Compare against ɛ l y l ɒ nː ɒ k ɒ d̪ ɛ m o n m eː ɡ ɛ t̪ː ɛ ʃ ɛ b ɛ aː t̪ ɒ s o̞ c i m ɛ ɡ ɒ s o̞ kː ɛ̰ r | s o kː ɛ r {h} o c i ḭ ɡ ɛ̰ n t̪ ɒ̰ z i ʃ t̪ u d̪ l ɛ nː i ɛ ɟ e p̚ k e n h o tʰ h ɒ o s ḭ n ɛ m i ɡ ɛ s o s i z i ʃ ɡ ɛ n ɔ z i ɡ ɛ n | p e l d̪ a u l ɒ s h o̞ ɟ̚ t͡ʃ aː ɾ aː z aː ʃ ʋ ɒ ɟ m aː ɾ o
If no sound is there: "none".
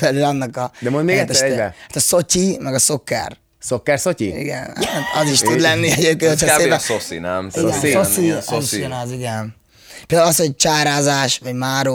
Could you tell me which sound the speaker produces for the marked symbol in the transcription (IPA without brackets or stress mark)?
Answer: s